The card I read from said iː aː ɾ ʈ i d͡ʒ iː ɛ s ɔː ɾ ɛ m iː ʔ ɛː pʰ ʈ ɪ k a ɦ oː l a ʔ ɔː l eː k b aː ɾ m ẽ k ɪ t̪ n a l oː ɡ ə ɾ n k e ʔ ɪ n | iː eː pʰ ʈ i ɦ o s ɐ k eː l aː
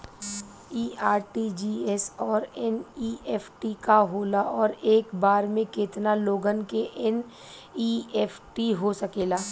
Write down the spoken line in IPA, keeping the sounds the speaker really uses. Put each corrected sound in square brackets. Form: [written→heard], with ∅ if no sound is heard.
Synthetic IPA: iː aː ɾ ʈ i d͡ʒ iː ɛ s ɔː ɾ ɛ [m→n] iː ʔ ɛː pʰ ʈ [ɪ→i] k a ɦ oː l a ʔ ɔː [l→ɾ] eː k b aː ɾ m ẽ k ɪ t̪ n a l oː ɡ ə [ɾ→∅] n k e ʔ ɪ n | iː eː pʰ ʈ i ɦ o s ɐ k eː l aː